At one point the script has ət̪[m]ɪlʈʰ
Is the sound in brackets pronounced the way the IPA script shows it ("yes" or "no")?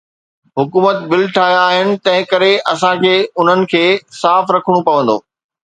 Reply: no